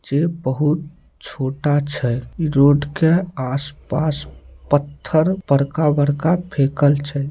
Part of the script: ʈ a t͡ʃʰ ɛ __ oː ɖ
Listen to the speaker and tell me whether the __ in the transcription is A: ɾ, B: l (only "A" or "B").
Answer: A